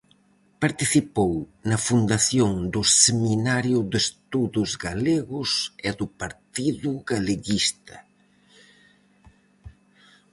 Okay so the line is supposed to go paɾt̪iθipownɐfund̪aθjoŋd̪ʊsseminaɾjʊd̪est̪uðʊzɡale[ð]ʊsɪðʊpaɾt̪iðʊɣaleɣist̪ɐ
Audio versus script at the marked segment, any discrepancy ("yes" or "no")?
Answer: yes